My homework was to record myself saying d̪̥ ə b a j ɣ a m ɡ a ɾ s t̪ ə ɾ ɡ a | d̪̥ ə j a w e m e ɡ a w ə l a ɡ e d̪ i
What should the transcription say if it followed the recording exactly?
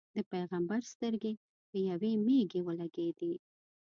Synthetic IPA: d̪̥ ə p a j ɣ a m b a ɾ s t̪ ə ɾ ɡ e | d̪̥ ə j a w e m e ɡ e w ə l a ɡ e d̪ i